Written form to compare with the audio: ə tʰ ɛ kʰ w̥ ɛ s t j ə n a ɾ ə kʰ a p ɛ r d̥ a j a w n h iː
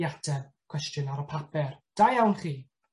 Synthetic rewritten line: a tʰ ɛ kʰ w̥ ɛ s t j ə n a ɾ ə pʰ a p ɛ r d̥ a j a w n χ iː